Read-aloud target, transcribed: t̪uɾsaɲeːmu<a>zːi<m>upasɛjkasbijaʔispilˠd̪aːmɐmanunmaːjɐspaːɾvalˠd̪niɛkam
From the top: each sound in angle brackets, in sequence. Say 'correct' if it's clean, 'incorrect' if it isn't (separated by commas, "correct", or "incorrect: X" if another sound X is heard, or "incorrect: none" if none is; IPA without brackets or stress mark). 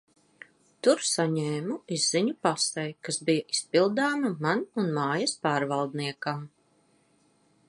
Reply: incorrect: i, incorrect: ɲ